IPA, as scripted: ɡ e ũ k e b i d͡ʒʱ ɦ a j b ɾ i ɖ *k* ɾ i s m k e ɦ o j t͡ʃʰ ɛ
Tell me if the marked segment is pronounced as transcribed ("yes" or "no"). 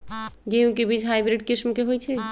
yes